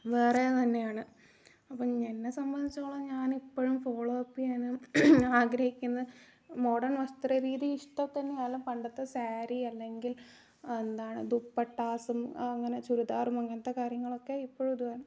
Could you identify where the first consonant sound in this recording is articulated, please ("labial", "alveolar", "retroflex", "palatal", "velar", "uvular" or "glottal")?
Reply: labial